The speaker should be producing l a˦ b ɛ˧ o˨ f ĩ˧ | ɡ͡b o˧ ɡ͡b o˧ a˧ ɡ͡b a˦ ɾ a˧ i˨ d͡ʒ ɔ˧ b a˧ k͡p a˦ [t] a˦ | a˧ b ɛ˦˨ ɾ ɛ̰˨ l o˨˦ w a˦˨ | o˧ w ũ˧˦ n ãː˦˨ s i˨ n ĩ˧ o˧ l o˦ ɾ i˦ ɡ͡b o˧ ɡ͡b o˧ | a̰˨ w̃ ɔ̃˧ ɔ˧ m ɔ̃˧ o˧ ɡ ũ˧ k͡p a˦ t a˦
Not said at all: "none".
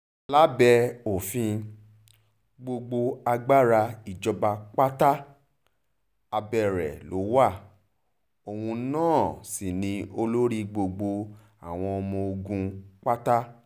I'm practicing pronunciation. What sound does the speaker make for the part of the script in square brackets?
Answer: t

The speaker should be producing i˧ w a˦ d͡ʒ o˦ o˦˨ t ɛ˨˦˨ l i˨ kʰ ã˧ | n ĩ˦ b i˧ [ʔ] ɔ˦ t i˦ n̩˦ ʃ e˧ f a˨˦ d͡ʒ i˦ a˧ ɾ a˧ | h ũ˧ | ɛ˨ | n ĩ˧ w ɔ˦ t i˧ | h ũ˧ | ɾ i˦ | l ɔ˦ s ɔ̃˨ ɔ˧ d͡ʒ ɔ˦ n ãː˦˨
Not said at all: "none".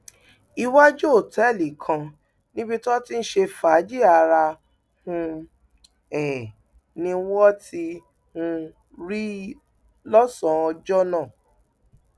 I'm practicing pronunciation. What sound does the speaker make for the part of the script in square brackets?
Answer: t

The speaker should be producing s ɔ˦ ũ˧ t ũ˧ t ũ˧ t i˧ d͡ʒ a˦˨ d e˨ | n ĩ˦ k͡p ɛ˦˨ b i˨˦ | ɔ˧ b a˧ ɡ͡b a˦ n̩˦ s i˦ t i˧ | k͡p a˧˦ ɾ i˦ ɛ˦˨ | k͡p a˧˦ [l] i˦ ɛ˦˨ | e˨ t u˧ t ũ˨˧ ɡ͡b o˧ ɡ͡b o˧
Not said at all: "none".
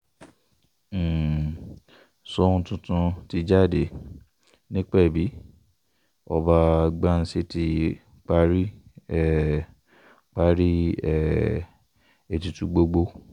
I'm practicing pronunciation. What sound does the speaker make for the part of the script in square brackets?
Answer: ɾ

